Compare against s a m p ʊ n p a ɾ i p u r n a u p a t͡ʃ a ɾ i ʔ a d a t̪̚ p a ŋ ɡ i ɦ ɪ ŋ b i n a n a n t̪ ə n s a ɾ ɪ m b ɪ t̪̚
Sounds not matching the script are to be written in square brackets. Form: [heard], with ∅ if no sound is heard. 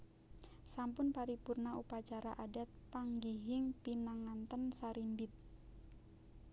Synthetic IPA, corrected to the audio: s a m p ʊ n p a ɾ i p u r n a u p a t͡ʃ a ɾ [a] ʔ a d a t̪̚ p a ŋ ɡ i ɦ ɪ ŋ [p] i n a [ŋ] a n t̪ ə n s a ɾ [i] m b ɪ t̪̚